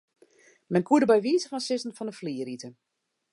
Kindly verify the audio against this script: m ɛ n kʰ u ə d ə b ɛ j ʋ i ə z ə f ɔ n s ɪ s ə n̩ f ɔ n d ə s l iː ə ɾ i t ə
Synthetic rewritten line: m ɛ n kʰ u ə d ə b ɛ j ʋ i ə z ə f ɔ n s ɪ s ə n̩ f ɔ n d ə f l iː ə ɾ i t ə